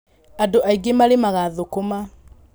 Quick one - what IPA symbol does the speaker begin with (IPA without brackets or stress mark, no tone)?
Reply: a